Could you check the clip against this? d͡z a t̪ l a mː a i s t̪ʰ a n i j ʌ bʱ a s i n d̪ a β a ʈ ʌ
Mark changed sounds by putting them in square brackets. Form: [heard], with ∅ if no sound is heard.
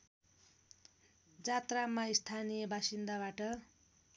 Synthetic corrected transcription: d͡z a t̪ [r] a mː a i s t̪ʰ a n i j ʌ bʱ a s i n d̪ a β a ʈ ʌ

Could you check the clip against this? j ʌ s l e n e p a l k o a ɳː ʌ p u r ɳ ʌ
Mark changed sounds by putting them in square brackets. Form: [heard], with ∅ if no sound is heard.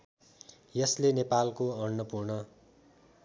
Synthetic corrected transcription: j ʌ s l e n e p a l k o [ʌ] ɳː ʌ p u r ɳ ʌ

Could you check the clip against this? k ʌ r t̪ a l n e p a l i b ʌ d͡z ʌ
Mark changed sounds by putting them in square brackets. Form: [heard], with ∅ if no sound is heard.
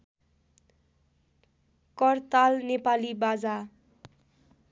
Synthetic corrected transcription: k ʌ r t̪ a l n e p a l i b [a] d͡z [a]

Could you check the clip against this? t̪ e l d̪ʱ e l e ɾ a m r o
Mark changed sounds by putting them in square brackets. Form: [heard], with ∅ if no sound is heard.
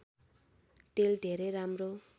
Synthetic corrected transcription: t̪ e l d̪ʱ e [ɾ] e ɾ a m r o

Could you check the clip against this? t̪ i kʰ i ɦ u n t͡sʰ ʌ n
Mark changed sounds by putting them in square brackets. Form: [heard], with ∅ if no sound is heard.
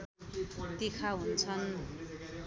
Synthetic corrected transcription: t̪ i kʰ [a] ɦ u n t͡sʰ ʌ n

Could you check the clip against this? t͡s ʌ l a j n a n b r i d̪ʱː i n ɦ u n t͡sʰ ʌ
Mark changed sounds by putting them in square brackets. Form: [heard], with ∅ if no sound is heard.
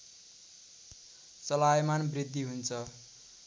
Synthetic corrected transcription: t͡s ʌ l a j [m] a n b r i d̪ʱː i [∅] ɦ u n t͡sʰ ʌ

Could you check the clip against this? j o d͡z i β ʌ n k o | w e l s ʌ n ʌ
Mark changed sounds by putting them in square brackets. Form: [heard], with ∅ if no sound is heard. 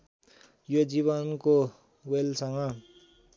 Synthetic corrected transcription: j o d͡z i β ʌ n k o | w e l s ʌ [ŋ] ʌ

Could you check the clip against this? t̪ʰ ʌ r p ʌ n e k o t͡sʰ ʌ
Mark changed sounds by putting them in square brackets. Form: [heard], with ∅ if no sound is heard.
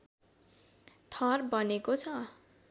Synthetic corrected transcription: t̪ʰ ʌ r [b] ʌ n e k o t͡sʰ ʌ

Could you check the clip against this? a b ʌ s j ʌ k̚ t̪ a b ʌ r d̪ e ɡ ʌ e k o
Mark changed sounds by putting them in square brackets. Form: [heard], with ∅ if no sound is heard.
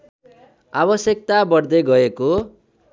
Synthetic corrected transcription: a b ʌ s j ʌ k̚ t̪ a b ʌ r d̪ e ɡ ʌ e k o

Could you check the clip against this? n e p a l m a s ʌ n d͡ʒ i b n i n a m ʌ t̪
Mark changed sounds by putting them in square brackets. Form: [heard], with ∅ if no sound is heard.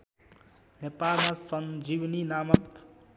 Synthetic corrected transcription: n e p a l m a s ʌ n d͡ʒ i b n i n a m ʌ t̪

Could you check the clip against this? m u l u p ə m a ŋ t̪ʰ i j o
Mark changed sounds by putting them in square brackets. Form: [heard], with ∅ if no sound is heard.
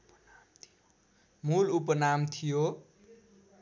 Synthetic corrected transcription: m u l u p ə [n] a [m] t̪ʰ i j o

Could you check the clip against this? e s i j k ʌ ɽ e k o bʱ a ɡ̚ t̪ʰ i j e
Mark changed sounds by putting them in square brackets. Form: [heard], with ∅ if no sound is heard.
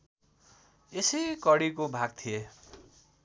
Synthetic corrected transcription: e s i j k ʌ ɽ [i] k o bʱ a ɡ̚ t̪ʰ i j e

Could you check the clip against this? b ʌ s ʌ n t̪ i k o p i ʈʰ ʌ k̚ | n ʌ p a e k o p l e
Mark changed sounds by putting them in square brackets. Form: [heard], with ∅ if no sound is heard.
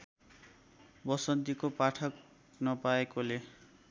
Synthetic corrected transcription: b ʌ s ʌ n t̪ i k o p [a] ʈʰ ʌ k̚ | n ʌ p a e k o [∅] l e

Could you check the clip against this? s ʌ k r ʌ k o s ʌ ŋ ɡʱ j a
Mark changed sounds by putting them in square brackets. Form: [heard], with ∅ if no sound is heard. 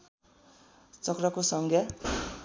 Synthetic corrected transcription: [t͡s] ʌ k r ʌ k o s ʌ ŋ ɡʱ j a

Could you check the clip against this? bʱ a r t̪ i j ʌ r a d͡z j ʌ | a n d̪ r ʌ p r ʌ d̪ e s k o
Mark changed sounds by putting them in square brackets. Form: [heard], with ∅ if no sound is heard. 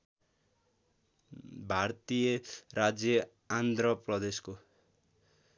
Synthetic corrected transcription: bʱ a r t̪ i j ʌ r a d͡z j ʌ | a n d̪ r ʌ p r ʌ d̪ e s k o

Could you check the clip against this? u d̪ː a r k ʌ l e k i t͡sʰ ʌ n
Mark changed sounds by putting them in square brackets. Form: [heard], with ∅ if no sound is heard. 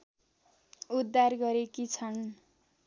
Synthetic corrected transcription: u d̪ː a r [ɡ] ʌ [ɾ] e k i t͡sʰ ʌ n

